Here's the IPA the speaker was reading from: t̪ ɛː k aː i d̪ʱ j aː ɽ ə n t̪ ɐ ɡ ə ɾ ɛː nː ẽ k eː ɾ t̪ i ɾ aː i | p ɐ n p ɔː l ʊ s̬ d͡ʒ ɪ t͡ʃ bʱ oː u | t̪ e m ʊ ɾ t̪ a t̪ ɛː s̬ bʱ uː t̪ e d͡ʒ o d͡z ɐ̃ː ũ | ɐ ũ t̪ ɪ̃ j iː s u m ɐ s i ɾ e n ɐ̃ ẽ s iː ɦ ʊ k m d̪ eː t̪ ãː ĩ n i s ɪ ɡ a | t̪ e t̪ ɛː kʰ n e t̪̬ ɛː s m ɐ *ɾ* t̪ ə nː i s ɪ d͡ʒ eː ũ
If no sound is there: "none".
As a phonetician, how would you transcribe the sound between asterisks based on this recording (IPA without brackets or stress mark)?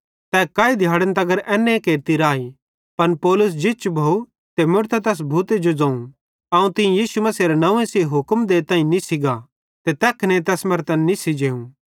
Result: ɾ